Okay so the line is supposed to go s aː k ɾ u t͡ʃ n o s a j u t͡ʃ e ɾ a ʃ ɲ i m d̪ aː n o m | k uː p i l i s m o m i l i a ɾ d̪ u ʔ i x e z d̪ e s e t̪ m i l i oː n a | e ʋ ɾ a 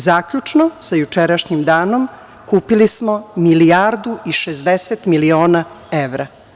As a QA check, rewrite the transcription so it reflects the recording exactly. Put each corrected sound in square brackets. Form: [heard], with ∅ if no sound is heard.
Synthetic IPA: [z] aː k [ʎ] u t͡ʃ n o s a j u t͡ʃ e ɾ a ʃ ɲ i m d̪ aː n o m | k uː p i l i s m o m i l i a ɾ d̪ u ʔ i [ʃ] e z d̪ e s e t̪ m i l i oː n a | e ʋ ɾ a

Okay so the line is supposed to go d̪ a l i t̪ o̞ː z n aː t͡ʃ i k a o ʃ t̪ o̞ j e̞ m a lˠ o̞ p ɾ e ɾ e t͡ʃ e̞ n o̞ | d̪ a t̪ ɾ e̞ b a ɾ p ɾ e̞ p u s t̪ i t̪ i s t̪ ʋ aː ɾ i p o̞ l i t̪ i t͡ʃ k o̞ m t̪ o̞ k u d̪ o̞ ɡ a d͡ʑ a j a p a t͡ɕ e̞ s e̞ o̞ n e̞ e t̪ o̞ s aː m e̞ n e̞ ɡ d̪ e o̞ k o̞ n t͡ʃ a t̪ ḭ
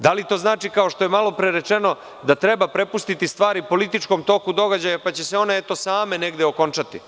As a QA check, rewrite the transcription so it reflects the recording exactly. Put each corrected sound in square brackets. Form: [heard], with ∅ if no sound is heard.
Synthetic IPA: d̪ a l i t̪ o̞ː z n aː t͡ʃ i k a o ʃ t̪ o̞ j e̞ m a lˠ o̞ p ɾ e ɾ e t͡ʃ e̞ n o̞ | d̪ a t̪ ɾ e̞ b a [∅] p ɾ e̞ p u s t̪ i t̪ i s t̪ ʋ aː ɾ i p o̞ l i t̪ i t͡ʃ k o̞ m t̪ o̞ k u d̪ o̞ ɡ a d͡ʑ a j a p a t͡ɕ e̞ s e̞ o̞ n e̞ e t̪ o̞ s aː m e̞ n e̞ ɡ d̪ e o̞ k o̞ n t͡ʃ a t̪ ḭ

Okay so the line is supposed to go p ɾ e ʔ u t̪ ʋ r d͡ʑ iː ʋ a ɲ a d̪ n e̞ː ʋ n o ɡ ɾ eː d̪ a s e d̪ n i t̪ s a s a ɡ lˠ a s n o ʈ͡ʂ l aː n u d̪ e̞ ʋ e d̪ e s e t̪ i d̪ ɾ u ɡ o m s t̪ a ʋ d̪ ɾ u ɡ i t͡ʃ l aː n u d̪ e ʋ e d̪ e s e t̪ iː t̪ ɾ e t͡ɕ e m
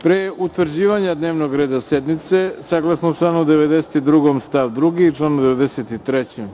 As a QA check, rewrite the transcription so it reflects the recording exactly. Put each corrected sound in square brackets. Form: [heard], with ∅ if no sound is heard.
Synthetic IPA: p ɾ e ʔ u t̪ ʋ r d͡ʑ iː ʋ a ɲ a d̪ n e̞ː ʋ n o ɡ ɾ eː d̪ a s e d̪ n i t̪ s [e] s a ɡ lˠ a s n o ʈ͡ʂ l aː n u d̪ e̞ ʋ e d̪ e s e t̪ i d̪ ɾ u ɡ o m s t̪ a ʋ d̪ ɾ u ɡ i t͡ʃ l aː n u d̪ e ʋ e d̪ e s e t̪ [i] t̪ ɾ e t͡ɕ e m

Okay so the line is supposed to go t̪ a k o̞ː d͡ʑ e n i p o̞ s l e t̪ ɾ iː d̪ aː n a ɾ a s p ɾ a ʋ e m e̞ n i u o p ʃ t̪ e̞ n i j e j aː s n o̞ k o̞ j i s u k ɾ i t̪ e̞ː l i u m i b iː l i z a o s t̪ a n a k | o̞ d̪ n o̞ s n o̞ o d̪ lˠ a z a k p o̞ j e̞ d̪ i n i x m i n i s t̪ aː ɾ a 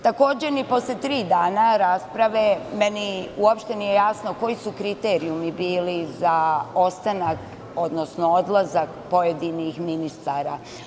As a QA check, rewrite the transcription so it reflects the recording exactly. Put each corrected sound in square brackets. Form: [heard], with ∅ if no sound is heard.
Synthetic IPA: t̪ a k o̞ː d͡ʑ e n i p o̞ s l e t̪ ɾ iː d̪ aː n a ɾ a s p ɾ a ʋ e m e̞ n i u o p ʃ t̪ e̞ n i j e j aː s n o̞ k o̞ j i s u k ɾ i t̪ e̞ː [ɾ] i u m i b iː l i z a o s t̪ a n a k | o̞ d̪ n o̞ s n o̞ o d̪ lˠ a z a k p o̞ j e̞ d̪ i n i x m i n i s t̪ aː ɾ a

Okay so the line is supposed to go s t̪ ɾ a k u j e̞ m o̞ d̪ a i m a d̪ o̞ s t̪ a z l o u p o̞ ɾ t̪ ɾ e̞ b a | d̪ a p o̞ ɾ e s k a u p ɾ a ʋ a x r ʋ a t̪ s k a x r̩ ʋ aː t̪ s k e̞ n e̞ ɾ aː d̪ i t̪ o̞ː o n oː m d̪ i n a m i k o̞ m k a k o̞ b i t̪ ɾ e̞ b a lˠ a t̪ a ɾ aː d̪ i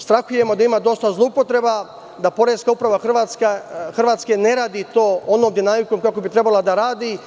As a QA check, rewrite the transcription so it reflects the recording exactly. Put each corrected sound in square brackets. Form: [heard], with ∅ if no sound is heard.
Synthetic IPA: s t̪ ɾ a [x] u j e̞ m o̞ d̪ a i m a d̪ o̞ s t̪ a z l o u p o̞ [∅] t̪ ɾ e̞ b a | d̪ a p o̞ ɾ e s k a u p ɾ a ʋ a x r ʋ a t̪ s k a x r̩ ʋ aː t̪ s k e̞ n e̞ ɾ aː d̪ i t̪ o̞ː o n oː m d̪ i n a m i k o̞ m k a k o̞ b i t̪ ɾ e̞ b a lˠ a [d̪] a ɾ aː d̪ i

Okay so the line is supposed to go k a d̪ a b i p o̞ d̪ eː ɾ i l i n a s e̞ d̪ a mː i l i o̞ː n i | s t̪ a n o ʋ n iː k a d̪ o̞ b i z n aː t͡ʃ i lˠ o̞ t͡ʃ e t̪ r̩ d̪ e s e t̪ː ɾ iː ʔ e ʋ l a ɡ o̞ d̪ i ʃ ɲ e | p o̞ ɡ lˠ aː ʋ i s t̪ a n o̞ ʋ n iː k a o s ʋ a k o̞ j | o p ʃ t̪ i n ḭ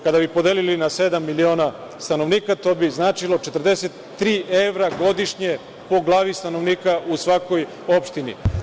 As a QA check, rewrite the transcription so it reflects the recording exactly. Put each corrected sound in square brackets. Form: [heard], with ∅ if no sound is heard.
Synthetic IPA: k a d̪ a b i p o̞ d̪ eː [l] i l i n a s e̞ d̪ a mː i l i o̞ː n [a] | s t̪ a n o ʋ n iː k a [t̪] o̞ b i z n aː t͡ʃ i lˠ o̞ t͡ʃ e t̪ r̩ d̪ e s e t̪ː ɾ iː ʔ e ʋ [ɾ] a ɡ o̞ d̪ i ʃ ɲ e | p o̞ ɡ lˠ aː ʋ i s t̪ a n o̞ ʋ n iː k a [u] s ʋ a k o̞ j | o p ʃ t̪ i n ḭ

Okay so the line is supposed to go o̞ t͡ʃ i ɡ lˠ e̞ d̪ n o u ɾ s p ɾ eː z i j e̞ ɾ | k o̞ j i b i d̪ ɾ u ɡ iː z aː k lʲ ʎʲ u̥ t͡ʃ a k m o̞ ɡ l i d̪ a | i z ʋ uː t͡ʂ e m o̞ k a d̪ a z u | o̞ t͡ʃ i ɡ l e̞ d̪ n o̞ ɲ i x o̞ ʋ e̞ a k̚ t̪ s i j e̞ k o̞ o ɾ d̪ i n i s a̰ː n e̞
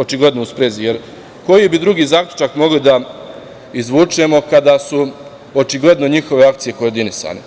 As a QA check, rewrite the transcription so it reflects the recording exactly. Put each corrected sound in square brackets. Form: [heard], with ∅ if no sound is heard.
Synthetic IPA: o̞ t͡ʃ i ɡ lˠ e̞ d̪ n o u [∅] s p ɾ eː z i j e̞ ɾ | k o̞ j i b i d̪ ɾ u ɡ iː z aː k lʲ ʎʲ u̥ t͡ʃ a k m o̞ ɡ l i d̪ a | i z ʋ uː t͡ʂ e m o̞ k a d̪ a [s] u | o̞ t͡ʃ i ɡ l e̞ d̪ n o̞ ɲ i x o̞ ʋ e̞ a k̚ t̪ s i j e̞ k o̞ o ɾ d̪ i n i s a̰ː n e̞

